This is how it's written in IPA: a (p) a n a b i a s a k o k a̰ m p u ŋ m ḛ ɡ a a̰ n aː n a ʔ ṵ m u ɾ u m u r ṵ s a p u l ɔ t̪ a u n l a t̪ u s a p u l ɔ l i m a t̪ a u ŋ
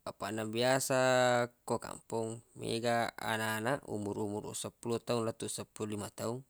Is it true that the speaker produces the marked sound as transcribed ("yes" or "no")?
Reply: yes